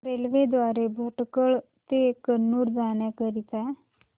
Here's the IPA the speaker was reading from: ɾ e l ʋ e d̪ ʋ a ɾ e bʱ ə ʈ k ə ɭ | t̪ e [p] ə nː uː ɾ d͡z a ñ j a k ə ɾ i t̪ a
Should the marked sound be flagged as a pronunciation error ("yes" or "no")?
yes